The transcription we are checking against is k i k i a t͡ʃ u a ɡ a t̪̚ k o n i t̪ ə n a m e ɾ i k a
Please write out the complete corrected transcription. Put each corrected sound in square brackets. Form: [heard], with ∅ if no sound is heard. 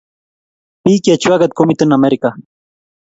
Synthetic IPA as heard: [p] i k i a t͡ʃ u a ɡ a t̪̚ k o [m] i t̪ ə n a m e ɾ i k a